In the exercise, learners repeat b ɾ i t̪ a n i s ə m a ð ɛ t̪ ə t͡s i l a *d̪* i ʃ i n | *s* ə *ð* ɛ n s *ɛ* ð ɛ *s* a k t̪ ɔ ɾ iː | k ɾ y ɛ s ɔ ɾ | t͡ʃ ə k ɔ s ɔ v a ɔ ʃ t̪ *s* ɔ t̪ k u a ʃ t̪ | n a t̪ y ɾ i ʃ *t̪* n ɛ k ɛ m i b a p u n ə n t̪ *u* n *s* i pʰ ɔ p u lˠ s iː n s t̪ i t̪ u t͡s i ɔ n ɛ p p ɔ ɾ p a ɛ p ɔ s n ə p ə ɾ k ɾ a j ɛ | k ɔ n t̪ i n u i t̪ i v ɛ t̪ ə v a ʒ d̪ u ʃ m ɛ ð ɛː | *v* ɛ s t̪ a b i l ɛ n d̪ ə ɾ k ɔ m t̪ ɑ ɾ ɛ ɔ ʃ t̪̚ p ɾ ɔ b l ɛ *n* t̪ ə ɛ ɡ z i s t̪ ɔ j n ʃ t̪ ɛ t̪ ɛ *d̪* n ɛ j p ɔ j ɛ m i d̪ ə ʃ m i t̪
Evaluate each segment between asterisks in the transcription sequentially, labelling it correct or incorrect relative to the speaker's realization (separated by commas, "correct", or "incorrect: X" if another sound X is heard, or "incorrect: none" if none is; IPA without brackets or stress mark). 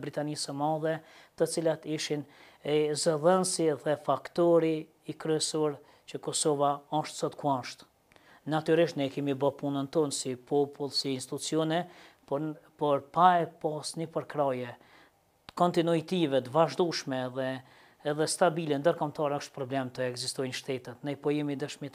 incorrect: t̪, incorrect: z, correct, incorrect: i, incorrect: f, correct, correct, incorrect: ɔ, correct, incorrect: ð, incorrect: m, incorrect: t̪